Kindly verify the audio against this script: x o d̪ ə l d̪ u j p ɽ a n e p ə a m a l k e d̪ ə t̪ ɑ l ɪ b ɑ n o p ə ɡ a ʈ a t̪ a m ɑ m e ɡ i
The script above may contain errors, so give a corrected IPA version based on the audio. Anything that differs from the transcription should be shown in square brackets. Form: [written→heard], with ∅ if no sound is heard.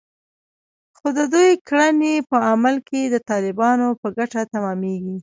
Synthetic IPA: x o d̪ ə [l→∅] d̪ u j [p→k] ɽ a n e p ə a m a l k e d̪ ə t̪ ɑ l ɪ b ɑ n o p ə ɡ a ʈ a t̪ a m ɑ m e ɡ i